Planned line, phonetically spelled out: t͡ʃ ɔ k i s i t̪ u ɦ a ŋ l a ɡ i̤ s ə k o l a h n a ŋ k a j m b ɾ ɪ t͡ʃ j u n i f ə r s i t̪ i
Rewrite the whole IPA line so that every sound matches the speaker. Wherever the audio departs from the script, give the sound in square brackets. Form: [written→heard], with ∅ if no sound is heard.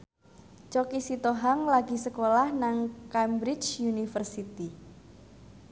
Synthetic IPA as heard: t͡ʃ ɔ k i s i t̪ [u→o] ɦ a ŋ l a ɡ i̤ s ə k o l a h n a ŋ k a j m b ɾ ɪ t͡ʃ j u n i f ə r s i t̪ i